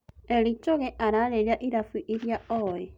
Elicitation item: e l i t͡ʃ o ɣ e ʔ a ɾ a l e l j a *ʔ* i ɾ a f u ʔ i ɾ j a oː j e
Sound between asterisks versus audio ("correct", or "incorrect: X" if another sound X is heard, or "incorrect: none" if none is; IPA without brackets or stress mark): correct